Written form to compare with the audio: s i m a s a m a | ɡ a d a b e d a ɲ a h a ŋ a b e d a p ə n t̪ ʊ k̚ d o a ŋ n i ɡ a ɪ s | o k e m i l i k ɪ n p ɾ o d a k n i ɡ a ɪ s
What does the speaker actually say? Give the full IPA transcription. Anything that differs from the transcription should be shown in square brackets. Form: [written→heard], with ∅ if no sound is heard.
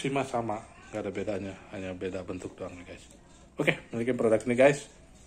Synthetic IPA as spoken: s i m a s a m a | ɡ a d a b e d a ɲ a h a [ŋ→ɲ] a b e d a [p→b] ə n t̪ ʊ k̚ d o a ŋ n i ɡ a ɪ s | o k e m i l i k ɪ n p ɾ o d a k n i ɡ a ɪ s